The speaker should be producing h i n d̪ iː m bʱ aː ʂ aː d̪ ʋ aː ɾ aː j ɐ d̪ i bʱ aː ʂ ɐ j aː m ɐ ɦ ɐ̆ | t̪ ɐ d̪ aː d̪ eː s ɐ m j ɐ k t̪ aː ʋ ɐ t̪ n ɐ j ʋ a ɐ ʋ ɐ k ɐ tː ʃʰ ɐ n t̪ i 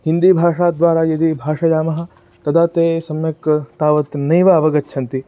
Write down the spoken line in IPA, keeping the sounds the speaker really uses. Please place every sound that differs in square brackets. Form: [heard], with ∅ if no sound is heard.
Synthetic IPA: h i n d̪ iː [∅] bʱ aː ʂ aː d̪ ʋ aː ɾ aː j ɐ d̪ i bʱ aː ʂ ɐ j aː m ɐ ɦ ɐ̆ | t̪ ɐ d̪ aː [t̪] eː s ɐ m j ɐ k t̪ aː ʋ ɐ t̪ n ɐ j ʋ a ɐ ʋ ɐ [ɡ] ɐ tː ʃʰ ɐ n t̪ i

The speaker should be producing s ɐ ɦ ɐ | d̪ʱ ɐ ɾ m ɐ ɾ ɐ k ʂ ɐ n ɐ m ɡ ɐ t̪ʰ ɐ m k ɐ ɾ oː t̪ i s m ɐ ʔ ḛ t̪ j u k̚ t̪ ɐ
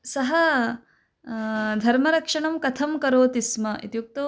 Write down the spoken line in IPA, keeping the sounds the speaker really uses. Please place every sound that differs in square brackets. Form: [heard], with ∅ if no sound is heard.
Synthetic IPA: s ɐ ɦ ɐ | d̪ʱ ɐ ɾ m ɐ ɾ ɐ k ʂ ɐ [ɳ] ɐ m [k] ɐ t̪ʰ ɐ m k ɐ ɾ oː t̪ i s m ɐ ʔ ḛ t̪ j u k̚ t̪ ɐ

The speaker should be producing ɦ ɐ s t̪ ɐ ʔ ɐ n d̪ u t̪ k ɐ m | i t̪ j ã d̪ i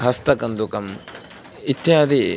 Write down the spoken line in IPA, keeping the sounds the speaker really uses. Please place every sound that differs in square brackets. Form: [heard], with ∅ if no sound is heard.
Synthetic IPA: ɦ ɐ s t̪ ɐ [k] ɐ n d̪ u [∅] k ɐ m | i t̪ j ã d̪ i

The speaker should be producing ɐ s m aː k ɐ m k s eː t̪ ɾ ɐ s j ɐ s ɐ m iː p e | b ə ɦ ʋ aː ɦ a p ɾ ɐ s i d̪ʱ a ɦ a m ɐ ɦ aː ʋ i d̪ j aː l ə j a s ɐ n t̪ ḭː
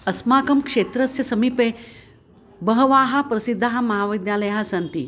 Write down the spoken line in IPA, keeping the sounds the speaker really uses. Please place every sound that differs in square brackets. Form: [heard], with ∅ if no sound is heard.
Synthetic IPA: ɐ s m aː k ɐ m k [ʂ] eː t̪ ɾ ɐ s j ɐ s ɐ m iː p e | b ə ɦ ʋ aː ɦ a p ɾ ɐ s i [d̪ʱː] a ɦ a m ɐ ɦ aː ʋ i d̪ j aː l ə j a s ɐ n t̪ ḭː

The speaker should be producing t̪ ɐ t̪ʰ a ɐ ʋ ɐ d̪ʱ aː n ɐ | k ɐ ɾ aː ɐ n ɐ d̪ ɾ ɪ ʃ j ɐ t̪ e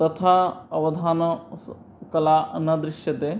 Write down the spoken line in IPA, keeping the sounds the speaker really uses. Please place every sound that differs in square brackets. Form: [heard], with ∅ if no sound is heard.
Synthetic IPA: t̪ ɐ t̪ʰ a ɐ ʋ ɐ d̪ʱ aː n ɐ | k ɐ [l] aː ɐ n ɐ d̪ ɾ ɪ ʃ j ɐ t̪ e

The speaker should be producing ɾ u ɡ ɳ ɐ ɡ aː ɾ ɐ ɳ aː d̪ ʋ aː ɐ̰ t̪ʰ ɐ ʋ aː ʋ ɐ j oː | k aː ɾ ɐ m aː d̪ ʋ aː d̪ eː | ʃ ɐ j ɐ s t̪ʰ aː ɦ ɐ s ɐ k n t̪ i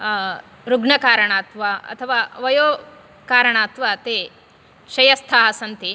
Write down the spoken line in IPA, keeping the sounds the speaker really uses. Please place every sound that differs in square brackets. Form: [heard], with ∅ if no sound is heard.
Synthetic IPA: ɾ u ɡ ɳ ɐ [k] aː ɾ ɐ ɳ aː [t̪] ʋ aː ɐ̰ t̪ʰ ɐ ʋ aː ʋ ɐ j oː | k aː ɾ ɐ [ɳ] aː [t̪] ʋ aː [t̪] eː | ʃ ɐ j ɐ s t̪ʰ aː ɦ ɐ s ɐ [∅] n t̪ i

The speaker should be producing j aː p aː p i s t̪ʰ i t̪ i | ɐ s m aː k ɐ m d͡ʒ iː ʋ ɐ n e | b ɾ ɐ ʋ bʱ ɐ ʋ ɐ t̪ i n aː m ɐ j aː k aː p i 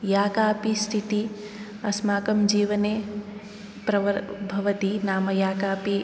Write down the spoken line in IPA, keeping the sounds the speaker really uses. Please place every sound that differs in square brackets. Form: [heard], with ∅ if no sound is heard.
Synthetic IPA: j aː [k] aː p i s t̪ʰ i t̪ i | ɐ s m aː k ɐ m d͡ʒ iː ʋ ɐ n e | [p] ɾ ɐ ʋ bʱ ɐ ʋ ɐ t̪ i n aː m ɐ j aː k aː p i

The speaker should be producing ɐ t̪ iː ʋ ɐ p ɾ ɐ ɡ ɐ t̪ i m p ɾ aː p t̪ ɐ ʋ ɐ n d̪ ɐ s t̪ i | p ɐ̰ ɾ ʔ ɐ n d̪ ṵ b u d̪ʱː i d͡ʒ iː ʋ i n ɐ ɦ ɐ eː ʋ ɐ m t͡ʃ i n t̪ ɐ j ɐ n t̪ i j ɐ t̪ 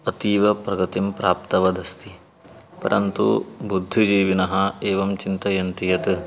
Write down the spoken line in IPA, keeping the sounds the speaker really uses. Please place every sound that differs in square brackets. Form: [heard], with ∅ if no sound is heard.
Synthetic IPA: ɐ t̪ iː ʋ ɐ p ɾ ɐ ɡ ɐ t̪ i m p ɾ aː p t̪ ɐ ʋ ɐ [∅] d̪ ɐ s t̪ i | p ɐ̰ ɾ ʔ ɐ n [t̪] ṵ b u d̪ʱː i d͡ʒ iː ʋ i n ɐ ɦ ɐ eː ʋ ɐ m t͡ʃ i n t̪ ɐ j ɐ n t̪ i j ɐ t̪

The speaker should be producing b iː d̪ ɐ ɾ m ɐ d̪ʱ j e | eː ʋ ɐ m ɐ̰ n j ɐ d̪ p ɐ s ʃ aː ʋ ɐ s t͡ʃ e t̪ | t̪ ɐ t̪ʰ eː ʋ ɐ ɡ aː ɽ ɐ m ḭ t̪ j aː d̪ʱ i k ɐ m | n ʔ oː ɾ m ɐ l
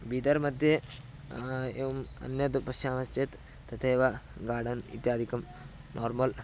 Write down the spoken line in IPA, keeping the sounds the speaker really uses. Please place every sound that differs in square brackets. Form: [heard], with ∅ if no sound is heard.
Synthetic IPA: b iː d̪ ɐ ɾ m ɐ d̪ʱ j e | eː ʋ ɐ m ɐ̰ n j ɐ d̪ p ɐ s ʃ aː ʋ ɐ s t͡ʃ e t̪ | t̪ ɐ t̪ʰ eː ʋ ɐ ɡ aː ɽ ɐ [n] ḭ t̪ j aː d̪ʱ i k ɐ m | n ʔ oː ɾ m ɐ l

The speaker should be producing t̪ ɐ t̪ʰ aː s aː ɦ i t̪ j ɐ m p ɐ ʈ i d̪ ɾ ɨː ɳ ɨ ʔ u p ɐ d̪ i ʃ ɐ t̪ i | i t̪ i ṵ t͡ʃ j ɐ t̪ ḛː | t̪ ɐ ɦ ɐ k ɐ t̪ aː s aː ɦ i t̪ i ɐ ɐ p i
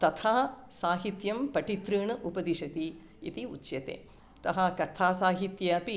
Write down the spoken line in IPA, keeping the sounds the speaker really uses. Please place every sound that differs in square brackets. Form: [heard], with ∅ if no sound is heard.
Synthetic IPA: t̪ ɐ t̪ʰ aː s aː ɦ i t̪ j ɐ m p ɐ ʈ i [t̪] ɾ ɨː ɳ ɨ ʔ u p ɐ d̪ i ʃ ɐ t̪ i | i t̪ i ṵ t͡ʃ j ɐ t̪ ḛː | t̪ ɐ ɦ ɐ k ɐ [t̪ʰ] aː s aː ɦ i t̪ [j] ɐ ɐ p i

